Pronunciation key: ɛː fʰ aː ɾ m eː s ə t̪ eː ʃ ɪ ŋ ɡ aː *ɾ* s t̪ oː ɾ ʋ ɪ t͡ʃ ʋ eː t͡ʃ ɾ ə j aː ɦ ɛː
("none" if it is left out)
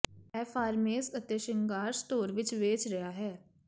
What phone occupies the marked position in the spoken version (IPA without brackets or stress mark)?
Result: ɾ